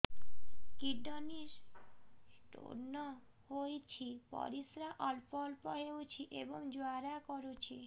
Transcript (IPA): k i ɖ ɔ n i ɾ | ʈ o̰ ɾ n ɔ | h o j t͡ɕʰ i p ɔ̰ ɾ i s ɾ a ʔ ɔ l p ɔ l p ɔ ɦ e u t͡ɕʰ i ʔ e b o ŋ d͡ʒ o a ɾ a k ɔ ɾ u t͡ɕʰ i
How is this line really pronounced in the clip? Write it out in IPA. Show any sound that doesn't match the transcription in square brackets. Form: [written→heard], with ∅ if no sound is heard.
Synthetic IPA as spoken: k i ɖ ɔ n i ɾ | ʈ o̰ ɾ n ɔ | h o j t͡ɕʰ i p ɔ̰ ɾ i s ɾ a ʔ ɔ l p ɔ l p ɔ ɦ e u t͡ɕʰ i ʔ e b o ŋ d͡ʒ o a ɾ a k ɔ ɾ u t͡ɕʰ i